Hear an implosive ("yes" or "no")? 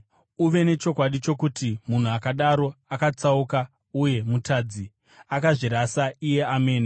yes